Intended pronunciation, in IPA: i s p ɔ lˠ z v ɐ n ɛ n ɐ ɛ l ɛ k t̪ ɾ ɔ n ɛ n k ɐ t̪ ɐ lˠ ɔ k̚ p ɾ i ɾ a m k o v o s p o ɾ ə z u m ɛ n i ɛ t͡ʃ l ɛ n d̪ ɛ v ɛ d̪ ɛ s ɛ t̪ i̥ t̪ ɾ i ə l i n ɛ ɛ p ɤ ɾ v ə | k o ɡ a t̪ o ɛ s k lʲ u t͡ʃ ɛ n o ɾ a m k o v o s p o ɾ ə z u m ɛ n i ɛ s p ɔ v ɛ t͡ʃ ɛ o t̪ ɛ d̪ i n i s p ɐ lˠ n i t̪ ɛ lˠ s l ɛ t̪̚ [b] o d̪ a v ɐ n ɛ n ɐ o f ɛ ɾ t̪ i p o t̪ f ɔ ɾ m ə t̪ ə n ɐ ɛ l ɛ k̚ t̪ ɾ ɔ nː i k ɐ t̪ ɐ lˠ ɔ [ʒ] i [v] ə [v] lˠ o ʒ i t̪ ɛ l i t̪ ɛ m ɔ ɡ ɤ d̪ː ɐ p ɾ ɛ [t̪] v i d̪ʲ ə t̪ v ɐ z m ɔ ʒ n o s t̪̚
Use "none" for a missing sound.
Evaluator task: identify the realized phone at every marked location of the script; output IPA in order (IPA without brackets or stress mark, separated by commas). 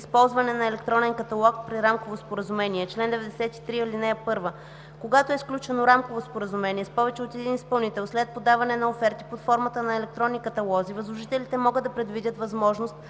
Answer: p, z, v, z, d̪